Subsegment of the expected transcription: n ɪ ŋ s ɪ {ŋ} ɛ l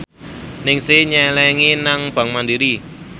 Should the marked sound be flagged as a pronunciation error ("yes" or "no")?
yes